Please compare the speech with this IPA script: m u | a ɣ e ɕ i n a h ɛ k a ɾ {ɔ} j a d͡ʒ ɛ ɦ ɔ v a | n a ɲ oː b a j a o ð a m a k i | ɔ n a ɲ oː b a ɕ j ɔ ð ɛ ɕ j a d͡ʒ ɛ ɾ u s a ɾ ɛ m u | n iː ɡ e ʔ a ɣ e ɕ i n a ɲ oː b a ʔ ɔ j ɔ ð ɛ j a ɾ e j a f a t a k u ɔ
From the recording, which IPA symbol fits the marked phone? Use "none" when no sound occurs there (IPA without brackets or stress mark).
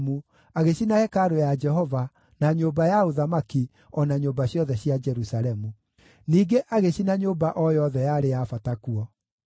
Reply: o